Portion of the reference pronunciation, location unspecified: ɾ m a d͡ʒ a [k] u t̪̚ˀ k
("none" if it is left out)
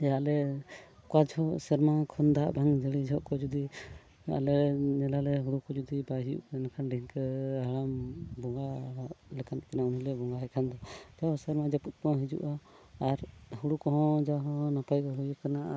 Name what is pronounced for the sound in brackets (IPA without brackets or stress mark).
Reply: p